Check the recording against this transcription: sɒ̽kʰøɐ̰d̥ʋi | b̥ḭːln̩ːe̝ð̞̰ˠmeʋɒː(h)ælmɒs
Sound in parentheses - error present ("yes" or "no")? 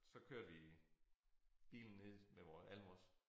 yes